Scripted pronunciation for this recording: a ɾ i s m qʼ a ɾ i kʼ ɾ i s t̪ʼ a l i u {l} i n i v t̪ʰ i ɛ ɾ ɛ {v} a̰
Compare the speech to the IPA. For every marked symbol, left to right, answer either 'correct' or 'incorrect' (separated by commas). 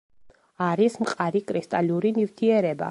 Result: incorrect, incorrect